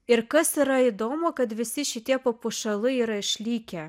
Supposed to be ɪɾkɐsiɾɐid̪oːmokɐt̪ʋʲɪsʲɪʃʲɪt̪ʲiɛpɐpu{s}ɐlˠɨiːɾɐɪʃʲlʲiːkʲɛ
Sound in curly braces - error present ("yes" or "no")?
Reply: yes